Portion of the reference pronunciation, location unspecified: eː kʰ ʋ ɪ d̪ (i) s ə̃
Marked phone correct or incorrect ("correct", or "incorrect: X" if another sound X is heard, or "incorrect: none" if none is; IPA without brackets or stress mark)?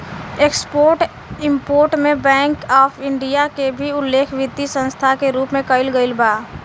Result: correct